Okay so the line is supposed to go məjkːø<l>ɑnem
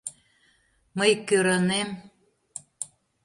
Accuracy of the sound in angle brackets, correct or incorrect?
incorrect